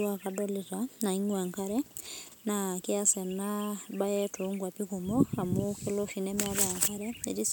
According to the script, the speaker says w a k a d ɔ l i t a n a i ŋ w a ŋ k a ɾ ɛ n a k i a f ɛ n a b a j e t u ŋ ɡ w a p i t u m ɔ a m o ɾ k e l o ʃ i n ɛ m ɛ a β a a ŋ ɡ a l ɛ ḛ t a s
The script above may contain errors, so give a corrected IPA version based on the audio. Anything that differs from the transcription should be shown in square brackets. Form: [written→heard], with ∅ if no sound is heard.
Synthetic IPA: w a k a d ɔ l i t a n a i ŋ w a ŋ k a ɾ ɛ n a k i a [f→s] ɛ n a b a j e t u ŋ ɡ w a p i [t→k] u m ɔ a m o [ɾ→∅] k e l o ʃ i n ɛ m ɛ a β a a ŋ [ɡ→k] a [l→ɾ] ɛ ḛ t [a→i] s